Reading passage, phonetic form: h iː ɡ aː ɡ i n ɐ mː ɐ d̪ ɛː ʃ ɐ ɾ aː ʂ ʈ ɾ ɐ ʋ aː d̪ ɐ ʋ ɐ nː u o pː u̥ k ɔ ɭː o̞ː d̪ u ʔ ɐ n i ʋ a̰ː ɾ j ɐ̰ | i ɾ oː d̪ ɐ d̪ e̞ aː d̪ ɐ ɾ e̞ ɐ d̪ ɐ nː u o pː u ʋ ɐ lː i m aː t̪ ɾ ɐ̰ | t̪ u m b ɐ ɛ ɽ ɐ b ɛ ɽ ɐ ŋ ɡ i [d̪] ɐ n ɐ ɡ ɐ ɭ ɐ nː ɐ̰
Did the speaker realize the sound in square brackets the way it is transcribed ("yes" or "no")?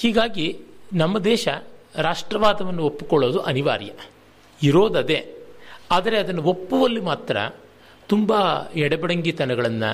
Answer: no